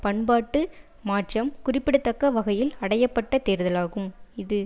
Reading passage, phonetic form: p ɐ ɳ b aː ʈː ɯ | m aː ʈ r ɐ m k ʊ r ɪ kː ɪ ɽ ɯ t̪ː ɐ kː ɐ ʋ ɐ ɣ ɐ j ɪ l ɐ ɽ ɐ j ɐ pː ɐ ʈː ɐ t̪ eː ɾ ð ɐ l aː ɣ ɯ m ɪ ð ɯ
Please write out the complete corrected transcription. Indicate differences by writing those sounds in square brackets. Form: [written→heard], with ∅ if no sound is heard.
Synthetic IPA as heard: p ɐ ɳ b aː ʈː ɯ | m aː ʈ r ɐ m k ʊ r ɪ [kː→pː] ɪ ɽ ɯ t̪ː ɐ kː ɐ ʋ ɐ ɣ ɐ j ɪ l ɐ ɽ ɐ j ɐ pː ɐ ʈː ɐ t̪ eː ɾ ð ɐ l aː ɣ ɯ m ɪ ð ɯ